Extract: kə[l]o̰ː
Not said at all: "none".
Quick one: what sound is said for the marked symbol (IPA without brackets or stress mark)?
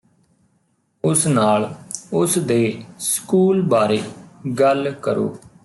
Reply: ɾ